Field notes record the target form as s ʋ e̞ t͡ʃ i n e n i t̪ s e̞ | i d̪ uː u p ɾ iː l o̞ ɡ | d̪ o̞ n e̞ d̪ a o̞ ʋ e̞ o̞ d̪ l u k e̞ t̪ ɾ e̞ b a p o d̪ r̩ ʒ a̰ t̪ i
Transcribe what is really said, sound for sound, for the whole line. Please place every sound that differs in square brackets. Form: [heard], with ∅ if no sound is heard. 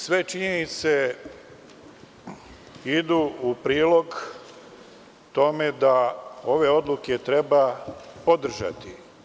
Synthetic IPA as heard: s ʋ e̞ t͡ʃ i [ɲ] e n i t̪ s e̞ | i d̪ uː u p ɾ iː l o̞ ɡ | [t̪] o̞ [m] e̞ d̪ a o̞ ʋ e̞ o̞ d̪ l u k e̞ t̪ ɾ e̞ b a p o d̪ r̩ ʒ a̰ t̪ i